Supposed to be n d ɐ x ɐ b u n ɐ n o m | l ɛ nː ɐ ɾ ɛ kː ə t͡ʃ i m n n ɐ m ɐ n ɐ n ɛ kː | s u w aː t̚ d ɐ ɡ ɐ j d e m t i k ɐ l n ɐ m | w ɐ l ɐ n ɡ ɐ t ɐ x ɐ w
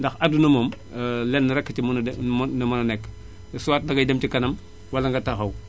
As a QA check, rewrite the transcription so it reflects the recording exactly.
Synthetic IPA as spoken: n d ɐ x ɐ d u n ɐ m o m | l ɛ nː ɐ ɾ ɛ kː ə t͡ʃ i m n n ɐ m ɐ n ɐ n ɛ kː | s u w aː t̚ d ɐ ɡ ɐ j d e m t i k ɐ n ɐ m | w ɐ l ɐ ŋ ɡ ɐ t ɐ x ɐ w